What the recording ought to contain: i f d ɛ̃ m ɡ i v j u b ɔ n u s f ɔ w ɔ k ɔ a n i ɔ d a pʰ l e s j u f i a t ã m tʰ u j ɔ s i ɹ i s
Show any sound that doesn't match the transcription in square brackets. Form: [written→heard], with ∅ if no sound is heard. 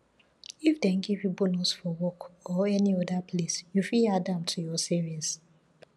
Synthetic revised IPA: i f d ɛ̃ [m→n] ɡ i v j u b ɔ n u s f ɔ w ɔ k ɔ [a→ɛ] n i ɔ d a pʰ l e s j u f i a [t→d] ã m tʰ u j ɔ s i ɹ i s